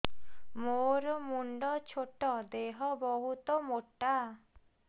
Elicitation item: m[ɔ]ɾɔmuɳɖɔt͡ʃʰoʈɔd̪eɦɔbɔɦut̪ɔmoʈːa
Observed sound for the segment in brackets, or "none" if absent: o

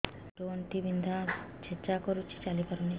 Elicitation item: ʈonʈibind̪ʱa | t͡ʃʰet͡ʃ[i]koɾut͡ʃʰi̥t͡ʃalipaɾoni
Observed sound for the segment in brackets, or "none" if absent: a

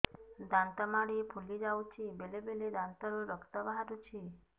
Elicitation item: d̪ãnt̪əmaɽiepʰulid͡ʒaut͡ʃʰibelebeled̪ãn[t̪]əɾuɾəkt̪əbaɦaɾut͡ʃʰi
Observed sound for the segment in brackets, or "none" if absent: t̪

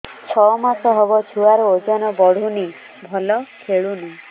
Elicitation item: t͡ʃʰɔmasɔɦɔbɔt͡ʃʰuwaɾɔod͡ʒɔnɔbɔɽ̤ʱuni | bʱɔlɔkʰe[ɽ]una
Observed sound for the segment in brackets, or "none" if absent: ɭ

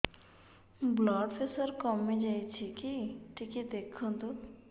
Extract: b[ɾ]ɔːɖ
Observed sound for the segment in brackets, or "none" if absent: l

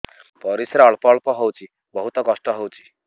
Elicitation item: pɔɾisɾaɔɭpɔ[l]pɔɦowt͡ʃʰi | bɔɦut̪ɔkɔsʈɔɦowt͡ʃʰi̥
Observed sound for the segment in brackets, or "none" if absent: ɭ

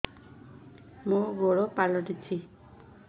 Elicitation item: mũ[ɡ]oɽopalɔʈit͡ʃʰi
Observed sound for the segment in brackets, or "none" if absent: ɡ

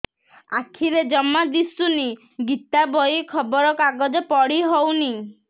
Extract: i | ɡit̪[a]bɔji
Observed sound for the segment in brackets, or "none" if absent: a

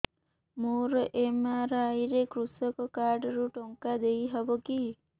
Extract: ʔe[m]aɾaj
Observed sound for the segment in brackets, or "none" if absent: m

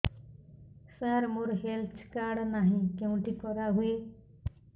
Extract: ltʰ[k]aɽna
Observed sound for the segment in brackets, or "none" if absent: k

